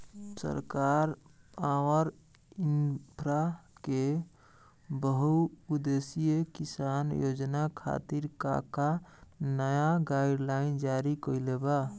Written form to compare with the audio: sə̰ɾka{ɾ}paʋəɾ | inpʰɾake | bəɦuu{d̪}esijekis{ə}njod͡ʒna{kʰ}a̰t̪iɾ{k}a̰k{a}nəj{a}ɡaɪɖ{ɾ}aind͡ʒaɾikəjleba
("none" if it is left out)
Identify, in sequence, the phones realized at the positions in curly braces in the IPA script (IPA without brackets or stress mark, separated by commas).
ɾ, d̪, a, kʰ, k, a, a, l